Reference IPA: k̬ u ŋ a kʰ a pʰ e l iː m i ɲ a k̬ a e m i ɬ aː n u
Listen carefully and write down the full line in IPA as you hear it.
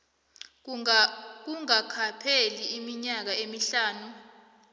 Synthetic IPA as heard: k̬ u ŋ a kʰ a pʰ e l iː m i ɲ a k̬ a e m i ɬ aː n u